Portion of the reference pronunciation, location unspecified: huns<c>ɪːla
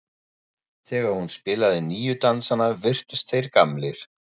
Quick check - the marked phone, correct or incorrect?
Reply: incorrect: p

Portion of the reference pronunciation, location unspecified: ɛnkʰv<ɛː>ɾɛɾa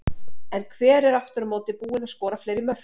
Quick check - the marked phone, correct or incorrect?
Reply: correct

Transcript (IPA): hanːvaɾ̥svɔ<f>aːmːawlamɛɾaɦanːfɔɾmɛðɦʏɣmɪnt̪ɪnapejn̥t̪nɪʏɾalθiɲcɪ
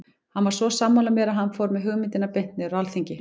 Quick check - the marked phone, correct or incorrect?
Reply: incorrect: s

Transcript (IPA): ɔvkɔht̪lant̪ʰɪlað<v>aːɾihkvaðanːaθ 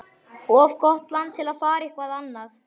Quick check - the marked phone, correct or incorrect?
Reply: incorrect: f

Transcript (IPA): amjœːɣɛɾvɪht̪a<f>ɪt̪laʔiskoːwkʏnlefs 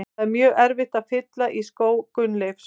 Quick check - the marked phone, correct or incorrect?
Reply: correct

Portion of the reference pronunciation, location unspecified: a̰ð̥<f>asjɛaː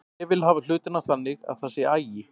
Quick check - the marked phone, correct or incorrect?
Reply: incorrect: θ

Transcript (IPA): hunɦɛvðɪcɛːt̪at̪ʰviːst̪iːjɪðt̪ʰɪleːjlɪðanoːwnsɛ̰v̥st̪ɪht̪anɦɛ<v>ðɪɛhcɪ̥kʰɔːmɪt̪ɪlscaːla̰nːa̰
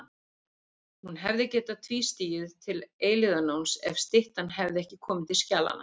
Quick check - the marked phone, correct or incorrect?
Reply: correct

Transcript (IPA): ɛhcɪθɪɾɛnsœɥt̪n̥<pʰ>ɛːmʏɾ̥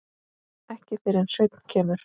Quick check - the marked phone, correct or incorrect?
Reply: incorrect: cʰ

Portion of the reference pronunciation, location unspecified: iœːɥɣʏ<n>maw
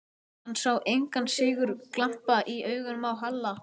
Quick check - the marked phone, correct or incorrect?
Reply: correct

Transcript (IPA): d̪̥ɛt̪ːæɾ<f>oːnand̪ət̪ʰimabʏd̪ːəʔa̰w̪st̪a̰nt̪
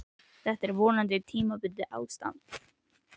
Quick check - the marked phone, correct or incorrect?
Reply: incorrect: v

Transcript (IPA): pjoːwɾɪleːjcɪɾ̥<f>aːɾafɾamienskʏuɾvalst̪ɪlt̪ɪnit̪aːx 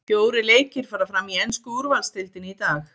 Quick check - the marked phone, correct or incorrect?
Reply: correct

